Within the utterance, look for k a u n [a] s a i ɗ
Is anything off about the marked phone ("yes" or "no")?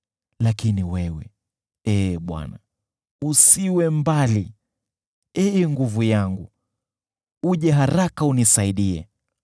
yes